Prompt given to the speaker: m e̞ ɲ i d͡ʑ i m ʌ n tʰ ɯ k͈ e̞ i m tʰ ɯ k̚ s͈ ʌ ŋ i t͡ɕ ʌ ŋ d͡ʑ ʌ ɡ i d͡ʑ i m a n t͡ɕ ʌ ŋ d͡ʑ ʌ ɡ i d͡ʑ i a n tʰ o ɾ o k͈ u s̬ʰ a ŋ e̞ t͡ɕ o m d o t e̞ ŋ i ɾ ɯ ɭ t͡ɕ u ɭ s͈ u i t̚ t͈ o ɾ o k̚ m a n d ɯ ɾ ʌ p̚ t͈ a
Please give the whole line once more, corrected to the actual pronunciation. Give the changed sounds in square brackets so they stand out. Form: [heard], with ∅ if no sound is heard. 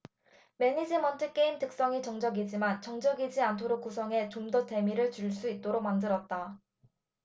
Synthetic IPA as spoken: m e̞ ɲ i d͡ʑ i m ʌ n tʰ ɯ k͈ e̞ i m [t] ɯ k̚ s͈ ʌ ŋ i t͡ɕ ʌ ŋ d͡ʑ ʌ ɡ i d͡ʑ i m a n t͡ɕ ʌ ŋ d͡ʑ ʌ ɡ i d͡ʑ i a n tʰ o ɾ o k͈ u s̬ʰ [ʌ] ŋ e̞ t͡ɕ o m d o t e̞ [m] i ɾ ɯ ɭ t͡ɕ u ɭ s͈ u i t̚ t͈ o ɾ o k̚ m a n d ɯ ɾ ʌ [t̚] t͈ a

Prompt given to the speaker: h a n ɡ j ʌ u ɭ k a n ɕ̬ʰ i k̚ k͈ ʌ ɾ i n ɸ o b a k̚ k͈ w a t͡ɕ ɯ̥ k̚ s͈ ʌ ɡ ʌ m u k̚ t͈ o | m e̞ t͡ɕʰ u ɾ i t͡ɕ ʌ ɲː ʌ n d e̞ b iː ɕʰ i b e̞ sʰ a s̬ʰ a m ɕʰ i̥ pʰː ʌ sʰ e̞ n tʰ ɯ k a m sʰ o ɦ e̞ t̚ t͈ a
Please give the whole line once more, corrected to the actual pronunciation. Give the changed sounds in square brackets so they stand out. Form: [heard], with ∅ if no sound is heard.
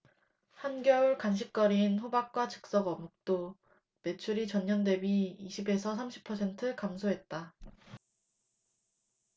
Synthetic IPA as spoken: h a n ɡ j ʌ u ɭ k a n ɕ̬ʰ i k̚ k͈ ʌ ɾ i n ɸ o b a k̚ k͈ w a t͡ɕ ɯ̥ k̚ s͈ ʌ ɡ ʌ m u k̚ t͈ o | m e̞ t͡ɕʰ u ɾ i t͡ɕ ʌ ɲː ʌ n d e̞ b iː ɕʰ i b e̞ sʰ [ʌ] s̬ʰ a m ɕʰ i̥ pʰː ʌ sʰ e̞ n tʰ ɯ k a m sʰ o ɦ e̞ t̚ t͈ a

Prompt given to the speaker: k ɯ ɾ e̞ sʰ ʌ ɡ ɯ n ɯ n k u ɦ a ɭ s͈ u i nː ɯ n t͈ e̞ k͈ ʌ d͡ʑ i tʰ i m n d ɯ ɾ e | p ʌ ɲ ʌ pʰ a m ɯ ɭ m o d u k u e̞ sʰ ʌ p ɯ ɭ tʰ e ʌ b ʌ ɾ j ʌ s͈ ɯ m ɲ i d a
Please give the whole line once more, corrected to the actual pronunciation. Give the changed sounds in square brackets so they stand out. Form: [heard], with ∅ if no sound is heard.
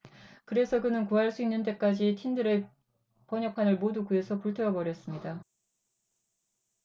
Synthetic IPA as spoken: k ɯ ɾ e̞ sʰ ʌ [k] ɯ n ɯ n k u ɦ a ɭ s͈ u i nː ɯ n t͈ e̞ k͈ [a] d͡ʑ i tʰ i [∅] n d ɯ ɾ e | p ʌ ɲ ʌ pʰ a [n] ɯ ɭ m o d u k u e̞ sʰ ʌ p [u] ɭ tʰ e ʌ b ʌ ɾ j ʌ s͈ ɯ m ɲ i d a

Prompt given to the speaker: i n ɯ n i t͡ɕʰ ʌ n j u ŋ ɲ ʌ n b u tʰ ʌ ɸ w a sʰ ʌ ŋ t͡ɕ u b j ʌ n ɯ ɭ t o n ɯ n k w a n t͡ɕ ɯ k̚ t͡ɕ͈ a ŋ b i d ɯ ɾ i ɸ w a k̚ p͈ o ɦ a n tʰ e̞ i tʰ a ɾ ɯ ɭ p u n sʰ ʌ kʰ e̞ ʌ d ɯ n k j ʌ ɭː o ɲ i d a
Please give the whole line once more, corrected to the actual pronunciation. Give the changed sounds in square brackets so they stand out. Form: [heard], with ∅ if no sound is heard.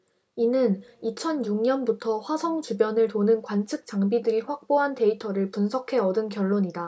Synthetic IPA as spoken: i n ɯ n i t͡ɕʰ ʌ n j u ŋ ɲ ʌ n b u tʰ ʌ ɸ w a sʰ ʌ ŋ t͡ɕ u b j ʌ n ɯ ɭ t o n ɯ n k w a n [t͡ɕʰ] ɯ k̚ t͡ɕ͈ a ŋ b i d ɯ ɾ i ɸ w a k̚ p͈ o ɦ a n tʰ e̞ i tʰ [ʌ] ɾ ɯ ɭ p u n sʰ ʌ kʰ e̞ ʌ d ɯ n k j ʌ ɭː o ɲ i d a

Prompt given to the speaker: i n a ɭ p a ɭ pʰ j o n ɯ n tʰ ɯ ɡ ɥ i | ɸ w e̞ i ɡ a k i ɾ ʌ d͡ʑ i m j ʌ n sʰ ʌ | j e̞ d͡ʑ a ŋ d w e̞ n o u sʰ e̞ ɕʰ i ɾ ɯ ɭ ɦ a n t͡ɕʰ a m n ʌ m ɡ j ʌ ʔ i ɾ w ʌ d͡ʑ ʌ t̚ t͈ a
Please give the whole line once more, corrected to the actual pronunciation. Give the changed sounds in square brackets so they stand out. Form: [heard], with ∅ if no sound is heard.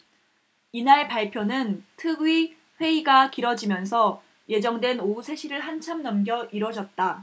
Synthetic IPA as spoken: i n a ɭ p a ɭ pʰ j o n ɯ n tʰ ɯ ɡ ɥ i | ɸ w e̞ i ɡ a k i ɾ ʌ d͡ʑ i m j ʌ n sʰ ʌ | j e̞ d͡ʑ [ʌ] ŋ d w e̞ n o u sʰ e̞ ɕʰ i ɾ ɯ ɭ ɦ a n t͡ɕʰ a m n ʌ m ɡ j ʌ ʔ i ɾ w ʌ d͡ʑ ʌ t̚ t͈ a

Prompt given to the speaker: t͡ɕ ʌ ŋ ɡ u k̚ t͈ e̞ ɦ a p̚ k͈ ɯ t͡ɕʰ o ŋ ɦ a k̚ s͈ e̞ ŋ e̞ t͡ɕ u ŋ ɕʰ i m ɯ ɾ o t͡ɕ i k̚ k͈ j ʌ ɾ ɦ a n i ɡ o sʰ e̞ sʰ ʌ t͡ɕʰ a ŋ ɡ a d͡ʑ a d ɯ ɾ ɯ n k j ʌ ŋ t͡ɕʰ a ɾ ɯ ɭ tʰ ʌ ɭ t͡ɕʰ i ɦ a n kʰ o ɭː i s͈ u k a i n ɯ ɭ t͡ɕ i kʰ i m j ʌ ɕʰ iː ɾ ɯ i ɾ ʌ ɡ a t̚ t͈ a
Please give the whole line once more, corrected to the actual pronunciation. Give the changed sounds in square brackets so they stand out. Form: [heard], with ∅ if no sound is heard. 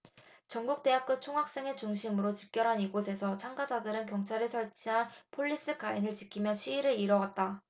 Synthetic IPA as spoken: t͡ɕ ʌ ŋ ɡ u k̚ t͈ e̞ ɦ a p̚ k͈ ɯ t͡ɕʰ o ŋ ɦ a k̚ s͈ e̞ ŋ e̞ t͡ɕ u ŋ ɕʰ i m ɯ ɾ o t͡ɕ i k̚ k͈ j ʌ ɾ ɦ a n i ɡ o sʰ e̞ sʰ ʌ t͡ɕʰ a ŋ ɡ a d͡ʑ a d ɯ ɾ ɯ n k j ʌ ŋ t͡ɕʰ a ɾ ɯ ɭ [sʰ] ʌ ɭ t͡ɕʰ i ɦ a n [pʰ] o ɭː i s͈ [ɯ] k a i n ɯ ɭ t͡ɕ i kʰ i m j ʌ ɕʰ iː ɾ ɯ i ɾ ʌ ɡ a t̚ t͈ a

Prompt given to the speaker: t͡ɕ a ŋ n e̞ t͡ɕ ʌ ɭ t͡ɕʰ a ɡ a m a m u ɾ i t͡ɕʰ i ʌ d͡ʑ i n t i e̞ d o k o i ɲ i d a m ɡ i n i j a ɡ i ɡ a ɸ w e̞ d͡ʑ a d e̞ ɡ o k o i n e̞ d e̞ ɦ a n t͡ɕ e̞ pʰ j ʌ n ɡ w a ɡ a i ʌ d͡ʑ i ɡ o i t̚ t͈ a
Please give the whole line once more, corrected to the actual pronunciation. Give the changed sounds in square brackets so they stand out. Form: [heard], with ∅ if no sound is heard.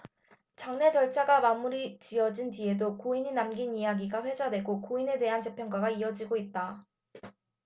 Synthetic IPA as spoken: t͡ɕ a ŋ n e̞ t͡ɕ ʌ ɭ t͡ɕʰ a ɡ a m a m u ɾ i [t͡ɕ] i ʌ d͡ʑ i n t i e̞ d o k o i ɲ i [n] a m ɡ i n i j a ɡ i ɡ a ɸ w e̞ d͡ʑ a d e̞ ɡ o k o i n e̞ d e̞ ɦ a n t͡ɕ e̞ pʰ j ʌ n ɡ w a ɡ a i ʌ d͡ʑ i ɡ o i t̚ t͈ a

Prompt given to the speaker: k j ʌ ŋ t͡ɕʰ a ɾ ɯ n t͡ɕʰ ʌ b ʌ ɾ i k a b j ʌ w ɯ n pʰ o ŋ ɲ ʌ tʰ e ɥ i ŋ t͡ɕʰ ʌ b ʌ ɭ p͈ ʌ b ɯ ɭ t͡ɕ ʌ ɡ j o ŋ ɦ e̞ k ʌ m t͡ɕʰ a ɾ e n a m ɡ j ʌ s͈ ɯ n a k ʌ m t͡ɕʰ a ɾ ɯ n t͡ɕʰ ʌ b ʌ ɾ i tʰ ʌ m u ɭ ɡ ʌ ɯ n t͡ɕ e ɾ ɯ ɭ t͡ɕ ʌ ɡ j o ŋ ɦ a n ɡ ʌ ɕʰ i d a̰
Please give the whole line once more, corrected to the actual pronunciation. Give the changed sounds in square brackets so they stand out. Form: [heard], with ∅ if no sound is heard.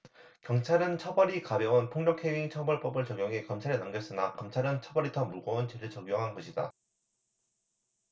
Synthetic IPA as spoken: k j ʌ ŋ t͡ɕʰ a ɾ ɯ n t͡ɕʰ ʌ b ʌ ɾ i k a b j ʌ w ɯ n pʰ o ŋ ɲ ʌ [kʰ] e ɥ i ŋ t͡ɕʰ ʌ b ʌ ɭ p͈ ʌ b ɯ ɭ t͡ɕ ʌ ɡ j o ŋ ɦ e̞ k ʌ m t͡ɕʰ a ɾ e n a m ɡ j ʌ s͈ ɯ n a k ʌ m t͡ɕʰ a ɾ ɯ n t͡ɕʰ ʌ b ʌ ɾ i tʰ ʌ m u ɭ ɡ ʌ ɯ n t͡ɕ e ɾ ɯ ɭ t͡ɕ ʌ ɡ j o ŋ ɦ a n ɡ ʌ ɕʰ i d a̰

